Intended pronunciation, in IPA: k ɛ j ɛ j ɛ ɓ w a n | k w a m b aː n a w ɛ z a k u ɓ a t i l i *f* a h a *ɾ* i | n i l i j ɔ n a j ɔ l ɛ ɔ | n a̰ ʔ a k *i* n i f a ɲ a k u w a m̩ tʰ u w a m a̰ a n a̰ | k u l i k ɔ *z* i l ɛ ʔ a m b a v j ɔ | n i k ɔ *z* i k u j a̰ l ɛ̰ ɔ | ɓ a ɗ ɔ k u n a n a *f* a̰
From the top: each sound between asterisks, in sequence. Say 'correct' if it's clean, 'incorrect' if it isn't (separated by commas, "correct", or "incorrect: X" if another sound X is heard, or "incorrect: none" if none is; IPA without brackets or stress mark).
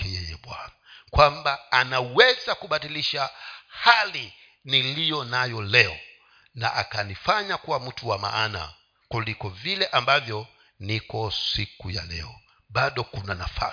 incorrect: ʃ, incorrect: l, incorrect: a, incorrect: v, incorrect: s, correct